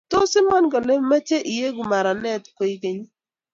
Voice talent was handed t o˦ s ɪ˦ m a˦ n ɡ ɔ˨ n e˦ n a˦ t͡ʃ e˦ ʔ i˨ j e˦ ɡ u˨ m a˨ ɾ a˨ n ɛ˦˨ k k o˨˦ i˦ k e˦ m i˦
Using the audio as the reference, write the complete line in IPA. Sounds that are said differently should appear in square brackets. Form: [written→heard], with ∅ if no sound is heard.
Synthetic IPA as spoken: t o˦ s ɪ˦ m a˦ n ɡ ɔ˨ n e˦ [n→m] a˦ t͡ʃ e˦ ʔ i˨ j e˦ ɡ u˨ m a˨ ɾ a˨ n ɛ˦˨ [k→t] k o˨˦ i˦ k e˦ [m→ɲ] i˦